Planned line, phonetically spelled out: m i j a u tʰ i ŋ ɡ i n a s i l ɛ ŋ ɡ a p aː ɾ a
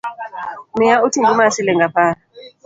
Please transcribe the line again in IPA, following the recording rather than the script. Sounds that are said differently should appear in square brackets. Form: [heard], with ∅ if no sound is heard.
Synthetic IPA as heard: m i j a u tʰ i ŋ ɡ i [m] a s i l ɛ ŋ ɡ a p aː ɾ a